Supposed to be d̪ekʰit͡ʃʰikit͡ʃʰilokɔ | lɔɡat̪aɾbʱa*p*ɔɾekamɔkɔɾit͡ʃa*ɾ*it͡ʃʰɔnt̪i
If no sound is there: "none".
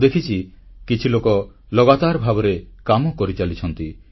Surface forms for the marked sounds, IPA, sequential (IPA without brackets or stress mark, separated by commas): b, l